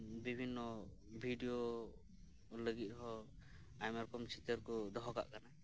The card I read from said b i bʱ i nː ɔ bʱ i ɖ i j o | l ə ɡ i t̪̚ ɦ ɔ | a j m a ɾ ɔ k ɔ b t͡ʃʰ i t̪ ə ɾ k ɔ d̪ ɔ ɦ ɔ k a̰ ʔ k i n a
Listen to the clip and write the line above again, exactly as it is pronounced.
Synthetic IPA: b i bʱ i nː ɔ bʱ i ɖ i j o | l ə ɡ i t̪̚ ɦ ɔ | a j m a ɾ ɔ k ɔ m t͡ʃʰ i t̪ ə ɾ k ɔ d̪ ɔ ɦ ɔ k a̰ ʔ k a n a